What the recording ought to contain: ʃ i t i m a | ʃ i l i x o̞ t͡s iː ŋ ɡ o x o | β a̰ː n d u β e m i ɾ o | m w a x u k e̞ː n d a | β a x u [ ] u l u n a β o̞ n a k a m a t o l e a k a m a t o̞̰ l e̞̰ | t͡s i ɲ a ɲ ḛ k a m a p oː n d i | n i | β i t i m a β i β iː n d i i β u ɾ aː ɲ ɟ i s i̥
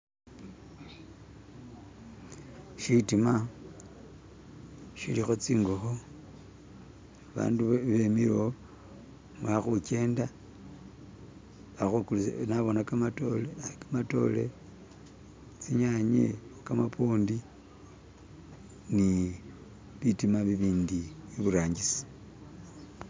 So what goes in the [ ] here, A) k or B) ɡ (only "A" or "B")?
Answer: A